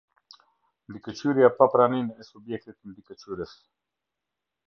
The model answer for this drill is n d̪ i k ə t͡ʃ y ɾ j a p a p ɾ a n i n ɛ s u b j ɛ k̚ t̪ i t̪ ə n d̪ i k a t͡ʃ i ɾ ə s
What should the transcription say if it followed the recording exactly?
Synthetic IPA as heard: n d̪ i k ə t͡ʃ y ɾ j a p a p ɾ a n i n ɛ s u b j ɛ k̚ t̪ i t̪ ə n d̪ i k ə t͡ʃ y ɾ ə s

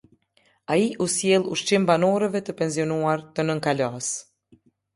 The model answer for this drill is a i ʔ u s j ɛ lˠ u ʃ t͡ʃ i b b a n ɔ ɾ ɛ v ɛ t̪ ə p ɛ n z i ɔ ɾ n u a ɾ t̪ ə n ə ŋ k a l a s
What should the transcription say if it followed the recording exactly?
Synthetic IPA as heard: a i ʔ u s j ɛ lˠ u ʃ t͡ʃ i m b a n ɔ ɾ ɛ v ɛ t̪ ə p ɛ n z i ɔ n u a ɾ t̪ ə n ə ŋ k a l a s

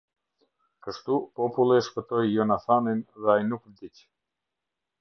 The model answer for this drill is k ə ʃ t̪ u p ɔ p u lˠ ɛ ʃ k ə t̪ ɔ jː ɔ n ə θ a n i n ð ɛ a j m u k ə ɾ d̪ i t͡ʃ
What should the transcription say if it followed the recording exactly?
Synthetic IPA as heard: k ə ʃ t̪ u p ɔ p u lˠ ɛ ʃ p ə t̪ ɔ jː ɔ n a θ a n i n ð ɛ a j n u k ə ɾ d̪ i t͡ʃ

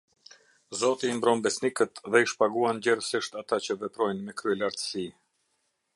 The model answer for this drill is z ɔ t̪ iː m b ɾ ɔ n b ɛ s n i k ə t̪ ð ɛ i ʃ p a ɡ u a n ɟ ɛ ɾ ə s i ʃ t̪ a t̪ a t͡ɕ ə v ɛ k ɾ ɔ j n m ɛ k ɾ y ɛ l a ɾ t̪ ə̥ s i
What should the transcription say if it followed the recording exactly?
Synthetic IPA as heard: z ɔ t̪ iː m b ɾ ɔ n b ɛ s n i k ə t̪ ð ɛ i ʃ p a ɡ u a n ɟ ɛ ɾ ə s i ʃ t̪ a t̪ a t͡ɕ ə v ɛ p ɾ ɔ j n m ɛ k ɾ y ɛ l a ɾ t̪ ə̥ s i

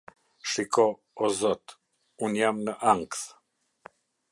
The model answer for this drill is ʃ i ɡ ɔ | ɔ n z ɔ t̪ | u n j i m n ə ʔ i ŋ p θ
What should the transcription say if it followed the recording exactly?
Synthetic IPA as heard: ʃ i k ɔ | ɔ z ɔ t̪ | u n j a m n ə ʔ a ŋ k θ

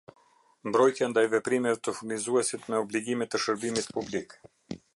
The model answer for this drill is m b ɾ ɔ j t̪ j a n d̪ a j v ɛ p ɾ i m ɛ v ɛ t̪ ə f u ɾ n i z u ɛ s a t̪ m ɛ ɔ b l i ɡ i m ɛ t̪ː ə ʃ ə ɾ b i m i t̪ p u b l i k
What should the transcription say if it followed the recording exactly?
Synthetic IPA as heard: m b ɾ ɔ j t̪ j a n d̪ a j v ɛ p ɾ i m ɛ v ɛ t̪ ə f u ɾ n i z u ɛ s i t̪ m ɛ ɔ b l i ɡ i m ɛ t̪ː ə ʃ ə ɾ b i m i t̪ p u b l i k

